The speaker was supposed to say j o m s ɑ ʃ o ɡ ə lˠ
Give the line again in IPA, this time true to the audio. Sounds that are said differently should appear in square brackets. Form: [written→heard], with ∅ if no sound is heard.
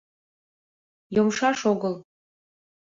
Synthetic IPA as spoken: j o m [s→ʃ] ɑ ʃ o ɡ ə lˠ